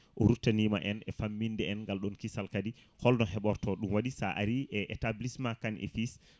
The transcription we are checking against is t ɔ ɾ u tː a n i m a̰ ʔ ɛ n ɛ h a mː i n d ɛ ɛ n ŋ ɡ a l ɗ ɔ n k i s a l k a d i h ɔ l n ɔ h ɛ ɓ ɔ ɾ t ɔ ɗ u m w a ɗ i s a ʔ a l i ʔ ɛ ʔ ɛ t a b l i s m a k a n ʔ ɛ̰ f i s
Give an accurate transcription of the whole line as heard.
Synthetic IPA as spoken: ʔ ɔ ɾ u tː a n i m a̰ ʔ ɛ n ɛ f a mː i n d ɛ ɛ n ŋ ɡ a l ɗ ɔ n k i s a l k a d i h ɔ l n ɔ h ɛ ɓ ɔ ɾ t ɔ ɗ u m w a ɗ i s a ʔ a ɾ i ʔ ɛ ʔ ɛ t a b l i s m a k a n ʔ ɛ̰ f i s